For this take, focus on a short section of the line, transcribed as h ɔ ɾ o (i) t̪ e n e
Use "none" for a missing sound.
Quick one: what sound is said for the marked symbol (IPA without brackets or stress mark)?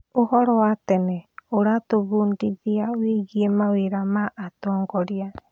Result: a